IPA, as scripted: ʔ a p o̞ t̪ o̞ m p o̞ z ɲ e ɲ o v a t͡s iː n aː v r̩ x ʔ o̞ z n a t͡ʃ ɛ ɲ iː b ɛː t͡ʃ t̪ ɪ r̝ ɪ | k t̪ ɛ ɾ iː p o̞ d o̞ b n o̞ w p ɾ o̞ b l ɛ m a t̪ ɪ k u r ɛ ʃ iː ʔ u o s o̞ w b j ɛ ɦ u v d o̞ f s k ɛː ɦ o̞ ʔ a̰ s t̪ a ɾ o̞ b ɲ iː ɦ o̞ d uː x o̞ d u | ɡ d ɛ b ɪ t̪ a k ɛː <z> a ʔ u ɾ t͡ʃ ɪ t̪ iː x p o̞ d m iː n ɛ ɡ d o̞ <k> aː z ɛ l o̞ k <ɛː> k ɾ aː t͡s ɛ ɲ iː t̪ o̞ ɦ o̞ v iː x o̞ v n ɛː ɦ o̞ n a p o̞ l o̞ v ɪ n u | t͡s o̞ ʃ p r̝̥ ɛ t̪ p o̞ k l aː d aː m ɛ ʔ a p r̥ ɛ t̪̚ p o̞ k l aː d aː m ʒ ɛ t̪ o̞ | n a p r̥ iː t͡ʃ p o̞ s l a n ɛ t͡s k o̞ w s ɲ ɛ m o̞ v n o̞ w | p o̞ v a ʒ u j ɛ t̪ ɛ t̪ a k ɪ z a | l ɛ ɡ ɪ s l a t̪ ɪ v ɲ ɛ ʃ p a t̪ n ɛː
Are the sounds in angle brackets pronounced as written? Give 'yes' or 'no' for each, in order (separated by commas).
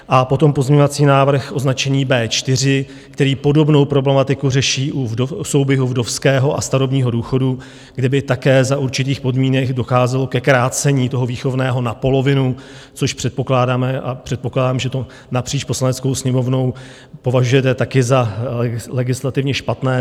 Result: yes, no, no